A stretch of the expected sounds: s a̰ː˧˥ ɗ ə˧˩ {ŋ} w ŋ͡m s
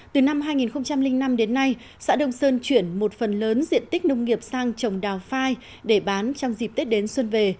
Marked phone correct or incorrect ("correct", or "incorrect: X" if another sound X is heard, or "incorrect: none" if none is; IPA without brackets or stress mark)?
incorrect: none